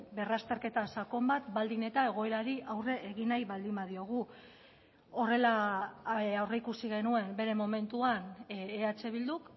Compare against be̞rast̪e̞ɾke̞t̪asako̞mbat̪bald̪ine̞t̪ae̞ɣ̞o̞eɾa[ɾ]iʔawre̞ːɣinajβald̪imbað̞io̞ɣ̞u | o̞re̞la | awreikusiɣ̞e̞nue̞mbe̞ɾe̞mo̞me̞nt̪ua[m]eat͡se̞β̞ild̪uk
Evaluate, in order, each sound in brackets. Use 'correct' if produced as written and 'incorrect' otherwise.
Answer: correct, incorrect

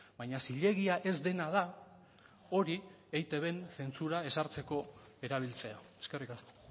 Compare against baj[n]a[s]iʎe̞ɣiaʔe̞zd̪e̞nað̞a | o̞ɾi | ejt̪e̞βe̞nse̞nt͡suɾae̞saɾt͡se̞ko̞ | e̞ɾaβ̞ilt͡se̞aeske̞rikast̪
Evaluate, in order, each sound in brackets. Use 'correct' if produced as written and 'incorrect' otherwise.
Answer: incorrect, correct

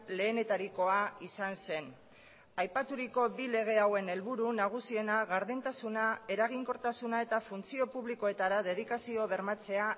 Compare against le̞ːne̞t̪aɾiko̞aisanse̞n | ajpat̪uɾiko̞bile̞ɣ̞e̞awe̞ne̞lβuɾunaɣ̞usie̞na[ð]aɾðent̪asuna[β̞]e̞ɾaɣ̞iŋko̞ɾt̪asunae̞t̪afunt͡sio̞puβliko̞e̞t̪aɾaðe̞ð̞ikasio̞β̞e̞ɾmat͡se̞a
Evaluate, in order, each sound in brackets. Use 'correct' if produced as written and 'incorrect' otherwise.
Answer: incorrect, incorrect

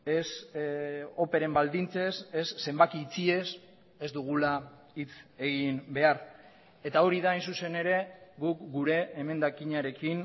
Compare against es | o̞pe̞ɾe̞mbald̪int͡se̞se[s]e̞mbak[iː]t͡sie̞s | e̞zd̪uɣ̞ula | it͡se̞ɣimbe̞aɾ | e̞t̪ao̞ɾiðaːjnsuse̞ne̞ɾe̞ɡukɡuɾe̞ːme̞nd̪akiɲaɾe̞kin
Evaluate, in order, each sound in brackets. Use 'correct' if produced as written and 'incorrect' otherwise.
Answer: incorrect, correct

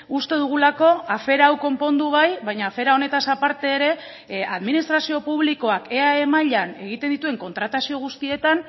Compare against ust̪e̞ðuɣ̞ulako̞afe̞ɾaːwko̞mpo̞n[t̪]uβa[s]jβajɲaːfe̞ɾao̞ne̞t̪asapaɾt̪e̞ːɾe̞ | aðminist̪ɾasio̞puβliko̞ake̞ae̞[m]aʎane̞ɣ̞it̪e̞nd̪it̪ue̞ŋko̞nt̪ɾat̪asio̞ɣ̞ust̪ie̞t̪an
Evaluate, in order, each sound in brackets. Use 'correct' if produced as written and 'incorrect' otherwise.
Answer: incorrect, incorrect, correct

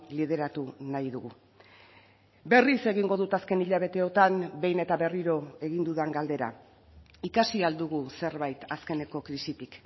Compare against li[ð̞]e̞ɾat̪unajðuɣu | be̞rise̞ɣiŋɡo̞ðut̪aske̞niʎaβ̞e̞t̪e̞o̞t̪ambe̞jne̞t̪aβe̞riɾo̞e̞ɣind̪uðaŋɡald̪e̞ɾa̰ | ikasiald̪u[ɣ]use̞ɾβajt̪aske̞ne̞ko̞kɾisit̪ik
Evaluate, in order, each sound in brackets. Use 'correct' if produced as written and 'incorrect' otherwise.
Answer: correct, correct

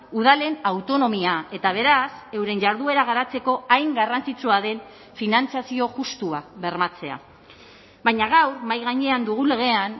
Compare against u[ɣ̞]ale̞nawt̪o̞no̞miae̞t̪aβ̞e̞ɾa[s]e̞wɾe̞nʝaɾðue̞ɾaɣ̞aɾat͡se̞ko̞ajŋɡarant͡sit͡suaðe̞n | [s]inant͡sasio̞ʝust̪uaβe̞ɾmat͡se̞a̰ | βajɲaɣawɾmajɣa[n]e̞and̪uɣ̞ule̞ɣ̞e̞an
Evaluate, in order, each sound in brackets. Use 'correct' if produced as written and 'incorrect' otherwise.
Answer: incorrect, correct, incorrect, incorrect

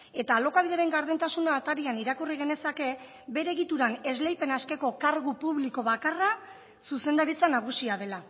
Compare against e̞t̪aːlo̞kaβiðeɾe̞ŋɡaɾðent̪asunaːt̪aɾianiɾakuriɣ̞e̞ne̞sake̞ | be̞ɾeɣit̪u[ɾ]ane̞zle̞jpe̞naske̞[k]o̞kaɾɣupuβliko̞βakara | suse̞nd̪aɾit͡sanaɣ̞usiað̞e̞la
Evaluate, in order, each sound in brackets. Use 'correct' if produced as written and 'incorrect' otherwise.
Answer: correct, correct

